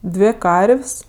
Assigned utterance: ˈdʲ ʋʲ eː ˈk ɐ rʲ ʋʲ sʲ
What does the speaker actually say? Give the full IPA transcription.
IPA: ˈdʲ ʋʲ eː ˈk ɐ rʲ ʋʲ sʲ